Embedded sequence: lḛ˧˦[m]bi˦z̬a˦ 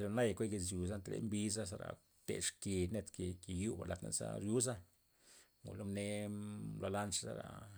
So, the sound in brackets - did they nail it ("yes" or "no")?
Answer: yes